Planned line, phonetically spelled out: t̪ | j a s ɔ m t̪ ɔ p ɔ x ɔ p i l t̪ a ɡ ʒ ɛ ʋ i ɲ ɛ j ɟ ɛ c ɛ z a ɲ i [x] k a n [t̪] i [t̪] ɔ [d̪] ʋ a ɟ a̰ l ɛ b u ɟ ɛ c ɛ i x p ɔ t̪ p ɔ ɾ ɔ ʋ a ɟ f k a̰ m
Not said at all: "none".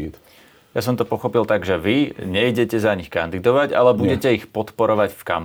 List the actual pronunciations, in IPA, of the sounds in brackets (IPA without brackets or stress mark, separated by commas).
x, d̪, d̪, none